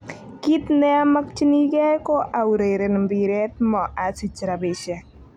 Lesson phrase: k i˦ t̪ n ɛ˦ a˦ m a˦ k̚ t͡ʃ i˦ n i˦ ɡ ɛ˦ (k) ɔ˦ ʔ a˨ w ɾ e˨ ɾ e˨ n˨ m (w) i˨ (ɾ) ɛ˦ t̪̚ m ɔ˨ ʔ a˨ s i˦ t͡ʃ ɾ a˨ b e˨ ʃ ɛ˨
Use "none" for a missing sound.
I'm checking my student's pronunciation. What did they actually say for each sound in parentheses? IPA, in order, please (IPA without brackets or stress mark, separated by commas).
k, b, ɾ